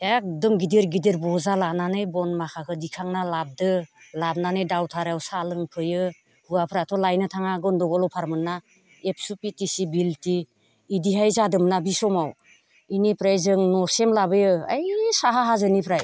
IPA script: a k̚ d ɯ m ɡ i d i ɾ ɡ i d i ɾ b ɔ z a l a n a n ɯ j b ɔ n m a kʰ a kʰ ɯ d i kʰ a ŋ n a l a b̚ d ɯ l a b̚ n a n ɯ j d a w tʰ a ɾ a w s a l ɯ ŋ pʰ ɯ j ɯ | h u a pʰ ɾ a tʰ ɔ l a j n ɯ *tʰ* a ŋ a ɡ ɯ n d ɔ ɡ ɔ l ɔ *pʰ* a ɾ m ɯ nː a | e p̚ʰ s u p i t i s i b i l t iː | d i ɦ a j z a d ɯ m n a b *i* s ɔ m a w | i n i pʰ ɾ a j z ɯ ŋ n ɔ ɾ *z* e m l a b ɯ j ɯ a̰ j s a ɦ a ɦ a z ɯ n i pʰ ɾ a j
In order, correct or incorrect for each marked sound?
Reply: correct, correct, correct, incorrect

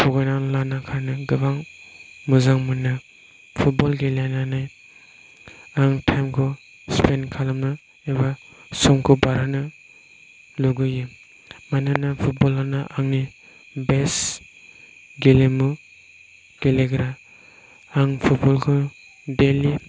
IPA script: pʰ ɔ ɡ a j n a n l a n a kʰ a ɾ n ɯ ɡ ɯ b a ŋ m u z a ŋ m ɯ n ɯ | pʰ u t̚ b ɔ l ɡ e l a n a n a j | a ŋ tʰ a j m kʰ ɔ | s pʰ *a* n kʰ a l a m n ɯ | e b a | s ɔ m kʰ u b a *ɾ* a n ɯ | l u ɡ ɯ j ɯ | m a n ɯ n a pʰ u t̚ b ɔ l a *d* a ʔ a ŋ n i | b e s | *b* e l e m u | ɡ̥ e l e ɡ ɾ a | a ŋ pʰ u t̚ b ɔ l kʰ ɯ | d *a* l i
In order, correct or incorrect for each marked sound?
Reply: incorrect, correct, incorrect, incorrect, incorrect

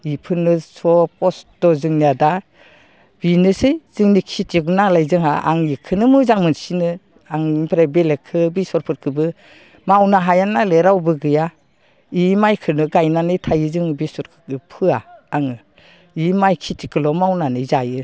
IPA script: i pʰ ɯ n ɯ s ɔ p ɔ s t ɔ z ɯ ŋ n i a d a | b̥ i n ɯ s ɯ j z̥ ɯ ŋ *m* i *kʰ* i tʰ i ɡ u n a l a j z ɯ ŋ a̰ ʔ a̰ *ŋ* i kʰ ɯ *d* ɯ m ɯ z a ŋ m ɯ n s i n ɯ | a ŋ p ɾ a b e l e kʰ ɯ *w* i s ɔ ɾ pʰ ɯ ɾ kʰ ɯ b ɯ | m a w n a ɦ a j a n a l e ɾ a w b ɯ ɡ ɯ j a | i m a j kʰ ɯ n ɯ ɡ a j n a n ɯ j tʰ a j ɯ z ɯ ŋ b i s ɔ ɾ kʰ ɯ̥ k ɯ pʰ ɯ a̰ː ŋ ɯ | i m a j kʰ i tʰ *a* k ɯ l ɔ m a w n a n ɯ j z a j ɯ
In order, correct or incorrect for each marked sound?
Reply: incorrect, correct, correct, incorrect, incorrect, incorrect

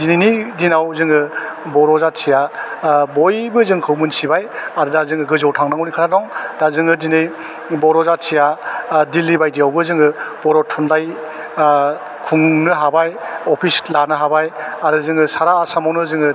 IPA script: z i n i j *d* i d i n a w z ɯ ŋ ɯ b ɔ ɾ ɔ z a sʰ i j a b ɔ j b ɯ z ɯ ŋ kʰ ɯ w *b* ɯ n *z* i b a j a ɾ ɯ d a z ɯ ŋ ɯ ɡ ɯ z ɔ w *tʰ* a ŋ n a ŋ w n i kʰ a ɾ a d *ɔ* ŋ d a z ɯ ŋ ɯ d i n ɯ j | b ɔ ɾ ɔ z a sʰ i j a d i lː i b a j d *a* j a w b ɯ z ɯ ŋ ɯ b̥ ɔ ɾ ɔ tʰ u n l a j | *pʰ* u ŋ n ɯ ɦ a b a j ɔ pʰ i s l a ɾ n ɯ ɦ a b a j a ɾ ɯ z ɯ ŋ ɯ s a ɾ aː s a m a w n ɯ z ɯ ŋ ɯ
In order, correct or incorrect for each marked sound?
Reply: incorrect, incorrect, incorrect, correct, correct, incorrect, incorrect

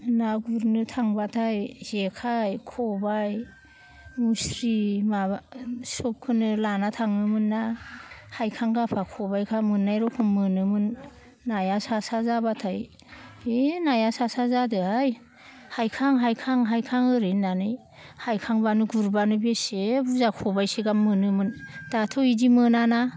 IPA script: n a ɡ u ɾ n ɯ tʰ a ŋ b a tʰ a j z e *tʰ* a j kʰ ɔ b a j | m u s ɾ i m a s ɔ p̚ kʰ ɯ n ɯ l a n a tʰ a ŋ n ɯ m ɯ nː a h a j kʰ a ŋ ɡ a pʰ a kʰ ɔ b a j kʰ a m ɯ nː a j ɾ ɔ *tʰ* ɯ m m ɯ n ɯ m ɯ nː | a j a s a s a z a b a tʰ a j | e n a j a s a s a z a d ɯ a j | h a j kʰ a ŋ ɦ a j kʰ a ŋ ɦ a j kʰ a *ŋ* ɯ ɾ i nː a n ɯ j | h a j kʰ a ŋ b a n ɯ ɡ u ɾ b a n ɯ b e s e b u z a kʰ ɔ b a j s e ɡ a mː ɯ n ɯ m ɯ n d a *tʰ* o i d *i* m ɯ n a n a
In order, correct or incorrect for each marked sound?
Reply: incorrect, incorrect, correct, correct, correct

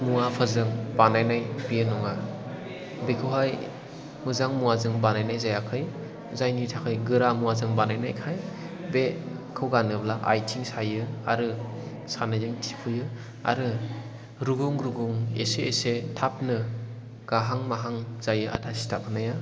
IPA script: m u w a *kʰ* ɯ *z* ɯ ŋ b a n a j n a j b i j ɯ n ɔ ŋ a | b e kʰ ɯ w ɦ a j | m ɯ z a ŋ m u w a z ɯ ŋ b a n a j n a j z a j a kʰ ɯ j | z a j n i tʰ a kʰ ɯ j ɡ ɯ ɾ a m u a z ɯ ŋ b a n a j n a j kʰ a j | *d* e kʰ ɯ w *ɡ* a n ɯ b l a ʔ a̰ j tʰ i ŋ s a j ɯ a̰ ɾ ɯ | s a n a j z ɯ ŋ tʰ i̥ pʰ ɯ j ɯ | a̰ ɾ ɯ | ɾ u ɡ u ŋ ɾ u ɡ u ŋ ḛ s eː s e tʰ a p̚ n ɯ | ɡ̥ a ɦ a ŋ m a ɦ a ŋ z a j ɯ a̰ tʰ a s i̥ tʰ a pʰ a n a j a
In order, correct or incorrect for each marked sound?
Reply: incorrect, correct, incorrect, correct

